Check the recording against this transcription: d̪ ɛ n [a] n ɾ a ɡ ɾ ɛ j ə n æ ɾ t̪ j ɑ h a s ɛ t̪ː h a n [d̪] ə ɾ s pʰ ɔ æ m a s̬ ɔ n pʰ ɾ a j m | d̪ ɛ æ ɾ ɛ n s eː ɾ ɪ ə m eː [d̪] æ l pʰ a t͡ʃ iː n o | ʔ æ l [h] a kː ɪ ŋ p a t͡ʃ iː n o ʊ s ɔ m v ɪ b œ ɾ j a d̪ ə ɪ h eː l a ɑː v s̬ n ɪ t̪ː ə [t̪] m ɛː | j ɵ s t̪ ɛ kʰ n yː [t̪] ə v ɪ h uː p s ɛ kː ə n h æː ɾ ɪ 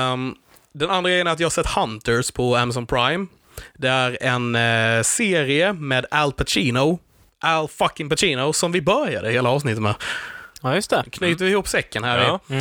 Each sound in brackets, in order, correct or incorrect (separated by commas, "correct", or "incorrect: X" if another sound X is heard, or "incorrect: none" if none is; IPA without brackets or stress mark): correct, incorrect: t̪, correct, incorrect: f, correct, correct